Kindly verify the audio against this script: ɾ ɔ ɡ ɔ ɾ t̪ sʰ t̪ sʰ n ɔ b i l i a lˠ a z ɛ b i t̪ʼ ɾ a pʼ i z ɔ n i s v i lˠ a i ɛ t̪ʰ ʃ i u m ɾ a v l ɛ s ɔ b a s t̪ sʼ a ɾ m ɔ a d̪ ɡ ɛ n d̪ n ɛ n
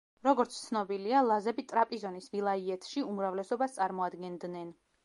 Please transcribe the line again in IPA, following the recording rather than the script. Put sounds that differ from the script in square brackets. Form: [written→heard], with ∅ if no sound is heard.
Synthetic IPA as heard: ɾ ɔ ɡ ɔ ɾ t̪ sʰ t̪ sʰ n ɔ b i l i a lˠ a z ɛ b i t̪ʼ ɾ a pʼ i z ɔ n i s v i lˠ a i ɛ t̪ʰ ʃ i u m ɾ a v l ɛ s ɔ b a s t̪ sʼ a ɾ m ɔ a d̪ ɡ ɛ n d̪ n ɛ n

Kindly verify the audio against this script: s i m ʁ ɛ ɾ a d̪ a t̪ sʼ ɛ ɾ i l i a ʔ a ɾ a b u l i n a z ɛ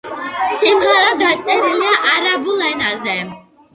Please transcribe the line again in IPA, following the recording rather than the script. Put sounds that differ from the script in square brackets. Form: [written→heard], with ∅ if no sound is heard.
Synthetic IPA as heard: s i m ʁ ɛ ɾ a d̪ a t̪ sʼ ɛ ɾ i l i a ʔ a ɾ a b u l [i→ɛ] n a z ɛ

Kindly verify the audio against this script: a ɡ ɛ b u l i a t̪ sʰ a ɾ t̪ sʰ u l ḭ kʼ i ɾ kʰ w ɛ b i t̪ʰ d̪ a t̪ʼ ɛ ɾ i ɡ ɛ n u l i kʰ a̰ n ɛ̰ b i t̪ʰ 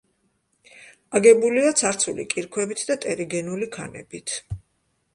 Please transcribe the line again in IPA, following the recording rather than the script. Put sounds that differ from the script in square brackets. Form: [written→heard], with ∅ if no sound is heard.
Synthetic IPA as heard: a ɡ ɛ b u l i a t̪ sʰ a ɾ t̪ sʰ u l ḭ kʼ i ɾ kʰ w ɛ b i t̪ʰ d̪ a t̪ʼ ɛ ɾ i ɡ ɛ n u l i kʰ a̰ n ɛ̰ b i t̪ʰ

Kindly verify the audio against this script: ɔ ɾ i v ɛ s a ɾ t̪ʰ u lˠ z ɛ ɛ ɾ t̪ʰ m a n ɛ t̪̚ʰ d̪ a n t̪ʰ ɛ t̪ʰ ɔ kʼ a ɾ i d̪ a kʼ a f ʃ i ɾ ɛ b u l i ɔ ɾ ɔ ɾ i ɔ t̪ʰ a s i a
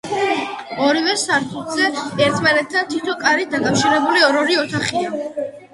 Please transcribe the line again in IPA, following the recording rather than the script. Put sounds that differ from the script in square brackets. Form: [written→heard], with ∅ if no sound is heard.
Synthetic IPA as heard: ɔ ɾ i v ɛ s a ɾ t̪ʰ u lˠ z ɛ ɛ ɾ t̪ʰ m a n ɛ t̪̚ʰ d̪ a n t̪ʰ [ɛ→i] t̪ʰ ɔ kʼ a ɾ i d̪ a kʼ a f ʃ i ɾ ɛ b u l i ɔ ɾ ɔ ɾ i ɔ t̪ʰ a [s→χ] i a

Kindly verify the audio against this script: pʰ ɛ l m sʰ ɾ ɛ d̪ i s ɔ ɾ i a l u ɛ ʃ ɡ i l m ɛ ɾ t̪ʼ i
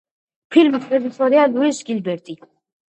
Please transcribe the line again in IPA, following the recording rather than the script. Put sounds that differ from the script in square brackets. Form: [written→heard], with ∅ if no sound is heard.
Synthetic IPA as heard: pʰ [ɛ→i] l m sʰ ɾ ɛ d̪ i s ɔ ɾ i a l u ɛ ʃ ɡ i l [m→b] ɛ ɾ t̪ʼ i

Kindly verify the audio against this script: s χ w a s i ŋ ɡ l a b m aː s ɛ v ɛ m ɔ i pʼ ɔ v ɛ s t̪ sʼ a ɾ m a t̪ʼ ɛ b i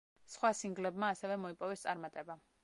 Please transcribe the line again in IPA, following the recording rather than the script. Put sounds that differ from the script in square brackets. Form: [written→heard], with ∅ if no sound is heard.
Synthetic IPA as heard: s χ w a s i ŋ ɡ l [a→ɛ] b m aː s ɛ v ɛ m ɔ i pʼ ɔ v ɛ s t̪ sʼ a ɾ m a t̪ʼ ɛ b [i→a]

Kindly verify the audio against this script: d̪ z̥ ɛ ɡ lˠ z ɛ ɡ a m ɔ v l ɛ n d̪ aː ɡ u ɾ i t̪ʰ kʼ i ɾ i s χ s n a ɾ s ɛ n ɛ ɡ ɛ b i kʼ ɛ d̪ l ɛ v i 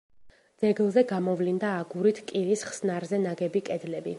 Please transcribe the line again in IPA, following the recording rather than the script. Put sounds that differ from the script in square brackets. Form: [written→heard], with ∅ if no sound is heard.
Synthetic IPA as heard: d̪ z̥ ɛ ɡ lˠ z ɛ ɡ a m ɔ v l [ɛ→i] n d̪ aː ɡ u ɾ i t̪ʰ kʼ i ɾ i s χ s n a ɾ [s→z] ɛ n [ɛ→a] ɡ ɛ b i kʼ ɛ d̪ l ɛ [v→b] i

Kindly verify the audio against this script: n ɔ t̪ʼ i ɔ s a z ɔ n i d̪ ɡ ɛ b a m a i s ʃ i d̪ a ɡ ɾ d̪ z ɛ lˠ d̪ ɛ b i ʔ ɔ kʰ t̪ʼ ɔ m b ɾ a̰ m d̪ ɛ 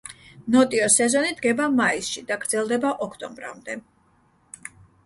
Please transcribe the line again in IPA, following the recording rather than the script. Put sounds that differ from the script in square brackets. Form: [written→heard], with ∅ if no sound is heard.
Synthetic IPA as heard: n ɔ t̪ʼ i ɔ s [a→ɛ] z ɔ n i d̪ ɡ ɛ b a m a i s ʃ i d̪ a ɡ ɾ d̪ z ɛ lˠ d̪ ɛ b [i→a] ʔ ɔ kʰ t̪ʼ ɔ m b ɾ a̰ m d̪ ɛ

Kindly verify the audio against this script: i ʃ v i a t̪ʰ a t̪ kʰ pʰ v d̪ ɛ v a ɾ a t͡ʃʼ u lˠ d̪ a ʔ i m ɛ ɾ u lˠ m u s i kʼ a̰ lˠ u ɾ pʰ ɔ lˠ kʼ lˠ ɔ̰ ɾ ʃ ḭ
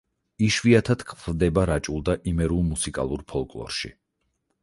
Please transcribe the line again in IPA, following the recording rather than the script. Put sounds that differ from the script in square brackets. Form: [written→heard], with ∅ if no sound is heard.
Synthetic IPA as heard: i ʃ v i a t̪ʰ a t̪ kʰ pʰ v d̪ ɛ [v→b] a ɾ a t͡ʃʼ u lˠ d̪ a ʔ i m ɛ ɾ u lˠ m u s i kʼ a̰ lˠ u ɾ pʰ ɔ lˠ kʼ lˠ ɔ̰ ɾ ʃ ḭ

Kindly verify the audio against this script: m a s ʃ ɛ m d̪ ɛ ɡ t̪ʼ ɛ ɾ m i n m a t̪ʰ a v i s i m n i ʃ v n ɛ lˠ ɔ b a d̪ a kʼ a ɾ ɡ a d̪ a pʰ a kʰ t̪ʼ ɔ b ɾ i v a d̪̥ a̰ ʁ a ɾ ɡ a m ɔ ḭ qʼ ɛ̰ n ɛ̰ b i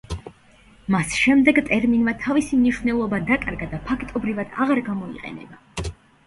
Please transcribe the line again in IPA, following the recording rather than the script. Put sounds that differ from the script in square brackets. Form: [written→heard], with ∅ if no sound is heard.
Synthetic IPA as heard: m a s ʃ ɛ m d̪ ɛ ɡ t̪ʼ ɛ ɾ m i n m a t̪ʰ a v i s i m n i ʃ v n ɛ lˠ ɔ b a d̪ a kʼ a ɾ ɡ a d̪ a pʰ a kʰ t̪ʼ ɔ b ɾ i v a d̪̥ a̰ ʁ a ɾ ɡ a m ɔ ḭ qʼ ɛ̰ n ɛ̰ b [i→a]

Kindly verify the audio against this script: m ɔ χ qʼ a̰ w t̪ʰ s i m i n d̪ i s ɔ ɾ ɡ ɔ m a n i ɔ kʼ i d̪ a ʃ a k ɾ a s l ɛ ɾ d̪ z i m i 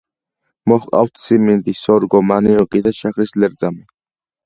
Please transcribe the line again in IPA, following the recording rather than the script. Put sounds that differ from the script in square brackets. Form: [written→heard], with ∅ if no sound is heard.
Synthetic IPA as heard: m ɔ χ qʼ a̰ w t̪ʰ s i m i n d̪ i s ɔ ɾ ɡ ɔ m a n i ɔ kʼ i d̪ a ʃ a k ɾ [a→i] s l ɛ ɾ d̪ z [i→a] m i

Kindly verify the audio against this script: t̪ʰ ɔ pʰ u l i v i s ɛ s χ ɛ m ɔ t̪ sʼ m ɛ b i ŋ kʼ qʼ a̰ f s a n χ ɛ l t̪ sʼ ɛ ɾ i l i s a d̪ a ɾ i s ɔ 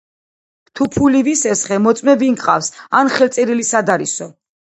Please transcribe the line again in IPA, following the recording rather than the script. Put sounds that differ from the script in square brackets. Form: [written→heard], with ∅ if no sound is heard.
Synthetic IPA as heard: t̪ʰ [ɔ→u] pʰ u l i v i s ɛ s χ ɛ m ɔ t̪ sʼ m ɛ b i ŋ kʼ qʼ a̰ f s a n χ ɛ l t̪ sʼ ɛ ɾ i l i s a d̪ a ɾ i s ɔ

